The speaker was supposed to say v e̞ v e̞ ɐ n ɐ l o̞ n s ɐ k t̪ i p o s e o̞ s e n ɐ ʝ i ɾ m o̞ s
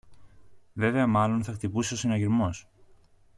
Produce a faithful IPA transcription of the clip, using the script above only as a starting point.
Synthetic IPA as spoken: v e̞ v e̞ ɐ m ɐ l o̞ n θ ɐ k t̪ i p u s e o̞ s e n ɐ ʝ i ɾ m o̞ s